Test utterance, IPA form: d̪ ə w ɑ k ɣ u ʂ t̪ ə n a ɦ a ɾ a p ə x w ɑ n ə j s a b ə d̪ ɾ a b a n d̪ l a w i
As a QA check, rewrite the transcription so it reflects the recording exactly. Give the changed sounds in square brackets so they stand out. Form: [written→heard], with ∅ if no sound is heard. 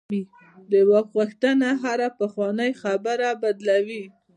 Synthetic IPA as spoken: d̪ ə w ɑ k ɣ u [ʂ→x] t̪ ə n a ɦ a ɾ a p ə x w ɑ n ə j [s→x] a b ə [d̪→∅] ɾ a b a [n→∅] d̪ l a w i